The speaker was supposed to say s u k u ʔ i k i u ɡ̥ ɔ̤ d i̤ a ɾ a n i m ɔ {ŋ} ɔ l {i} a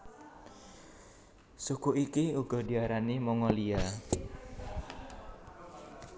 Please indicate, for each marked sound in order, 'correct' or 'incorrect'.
correct, correct

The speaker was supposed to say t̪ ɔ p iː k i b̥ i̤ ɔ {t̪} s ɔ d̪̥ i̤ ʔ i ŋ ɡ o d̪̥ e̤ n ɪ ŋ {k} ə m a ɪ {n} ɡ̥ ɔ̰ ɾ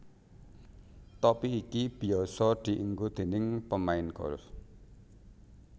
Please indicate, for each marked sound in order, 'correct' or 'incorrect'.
incorrect: none, incorrect: p, correct

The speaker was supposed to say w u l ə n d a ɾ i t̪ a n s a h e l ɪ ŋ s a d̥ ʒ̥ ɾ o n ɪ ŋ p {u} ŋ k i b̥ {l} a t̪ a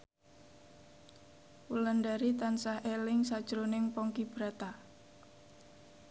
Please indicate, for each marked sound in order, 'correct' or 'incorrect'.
incorrect: ɔ, incorrect: ɾ

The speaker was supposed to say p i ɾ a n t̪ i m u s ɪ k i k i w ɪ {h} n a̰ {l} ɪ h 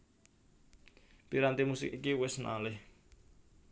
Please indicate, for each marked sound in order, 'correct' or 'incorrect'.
incorrect: s, correct

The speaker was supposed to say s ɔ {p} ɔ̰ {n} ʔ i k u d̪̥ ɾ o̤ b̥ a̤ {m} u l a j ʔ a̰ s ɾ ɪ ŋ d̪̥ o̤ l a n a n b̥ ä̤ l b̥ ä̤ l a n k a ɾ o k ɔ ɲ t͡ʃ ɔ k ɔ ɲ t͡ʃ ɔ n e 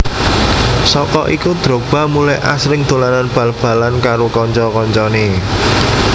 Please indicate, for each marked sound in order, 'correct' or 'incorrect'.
incorrect: k, incorrect: none, correct

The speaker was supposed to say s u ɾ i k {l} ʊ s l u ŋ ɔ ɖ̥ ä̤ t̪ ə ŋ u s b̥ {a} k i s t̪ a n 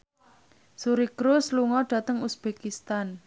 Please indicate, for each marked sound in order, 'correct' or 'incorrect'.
incorrect: ɾ, incorrect: e

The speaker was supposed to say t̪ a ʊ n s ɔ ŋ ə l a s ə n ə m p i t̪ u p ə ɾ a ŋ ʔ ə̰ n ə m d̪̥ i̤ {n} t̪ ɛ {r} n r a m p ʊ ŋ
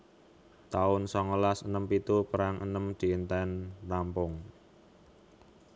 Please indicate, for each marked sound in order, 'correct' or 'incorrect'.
correct, incorrect: none

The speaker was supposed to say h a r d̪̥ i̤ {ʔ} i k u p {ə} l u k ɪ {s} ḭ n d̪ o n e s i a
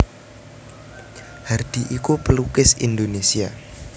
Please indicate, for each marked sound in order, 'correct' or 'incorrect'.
correct, correct, correct

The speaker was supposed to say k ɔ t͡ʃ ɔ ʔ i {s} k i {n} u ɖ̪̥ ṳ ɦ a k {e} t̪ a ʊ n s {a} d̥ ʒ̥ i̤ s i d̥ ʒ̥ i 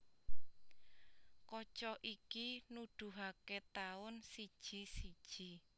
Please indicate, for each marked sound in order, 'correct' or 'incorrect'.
incorrect: none, correct, correct, incorrect: i

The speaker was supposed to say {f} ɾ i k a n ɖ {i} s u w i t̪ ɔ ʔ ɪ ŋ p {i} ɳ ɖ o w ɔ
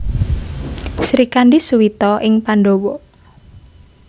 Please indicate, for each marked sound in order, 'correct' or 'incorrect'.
incorrect: s, correct, incorrect: a

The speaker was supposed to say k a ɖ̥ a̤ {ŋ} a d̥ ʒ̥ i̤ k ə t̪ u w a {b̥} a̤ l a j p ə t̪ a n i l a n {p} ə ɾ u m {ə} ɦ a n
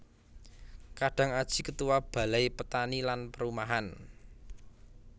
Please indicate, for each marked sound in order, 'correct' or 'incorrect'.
correct, correct, correct, incorrect: a

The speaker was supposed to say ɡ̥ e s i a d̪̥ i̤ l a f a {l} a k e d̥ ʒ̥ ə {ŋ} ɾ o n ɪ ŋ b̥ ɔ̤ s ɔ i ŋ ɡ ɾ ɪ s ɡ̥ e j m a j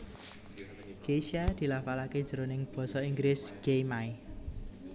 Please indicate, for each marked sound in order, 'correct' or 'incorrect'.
correct, incorrect: none

